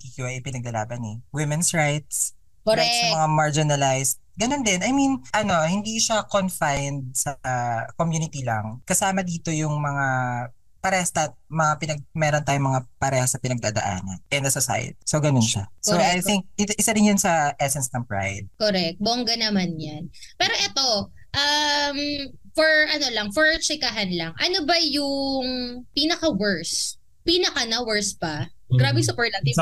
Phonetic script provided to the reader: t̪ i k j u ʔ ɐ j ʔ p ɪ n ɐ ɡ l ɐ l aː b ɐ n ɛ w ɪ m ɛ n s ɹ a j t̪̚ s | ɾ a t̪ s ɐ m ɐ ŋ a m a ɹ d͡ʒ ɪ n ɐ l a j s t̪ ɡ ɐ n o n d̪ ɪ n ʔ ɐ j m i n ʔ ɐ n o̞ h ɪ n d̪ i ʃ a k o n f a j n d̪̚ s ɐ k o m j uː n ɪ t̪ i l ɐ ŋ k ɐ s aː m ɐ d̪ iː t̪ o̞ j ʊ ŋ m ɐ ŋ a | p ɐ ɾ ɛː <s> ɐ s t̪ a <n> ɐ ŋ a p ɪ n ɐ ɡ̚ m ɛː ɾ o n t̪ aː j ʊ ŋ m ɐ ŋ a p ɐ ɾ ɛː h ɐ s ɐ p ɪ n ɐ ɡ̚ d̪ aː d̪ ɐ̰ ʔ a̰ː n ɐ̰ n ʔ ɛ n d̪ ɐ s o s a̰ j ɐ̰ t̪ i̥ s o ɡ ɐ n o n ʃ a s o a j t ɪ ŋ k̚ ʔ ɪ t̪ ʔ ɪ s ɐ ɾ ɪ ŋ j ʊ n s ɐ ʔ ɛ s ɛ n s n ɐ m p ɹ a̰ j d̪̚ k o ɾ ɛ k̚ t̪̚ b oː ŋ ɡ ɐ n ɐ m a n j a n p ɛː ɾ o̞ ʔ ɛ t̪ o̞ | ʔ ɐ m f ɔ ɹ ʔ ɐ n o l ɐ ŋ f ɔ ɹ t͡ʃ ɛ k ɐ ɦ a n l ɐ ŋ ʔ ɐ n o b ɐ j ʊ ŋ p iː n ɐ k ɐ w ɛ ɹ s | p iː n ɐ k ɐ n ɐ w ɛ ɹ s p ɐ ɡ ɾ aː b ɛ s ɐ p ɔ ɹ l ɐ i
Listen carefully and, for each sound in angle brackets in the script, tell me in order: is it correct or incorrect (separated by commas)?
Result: incorrect, incorrect